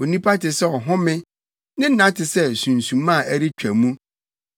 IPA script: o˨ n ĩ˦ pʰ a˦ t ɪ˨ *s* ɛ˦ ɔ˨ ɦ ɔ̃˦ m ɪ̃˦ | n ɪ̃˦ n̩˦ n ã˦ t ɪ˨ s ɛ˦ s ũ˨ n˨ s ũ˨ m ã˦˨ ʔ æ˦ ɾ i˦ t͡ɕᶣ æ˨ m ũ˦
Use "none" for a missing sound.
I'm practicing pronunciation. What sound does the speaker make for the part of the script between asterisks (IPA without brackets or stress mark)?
s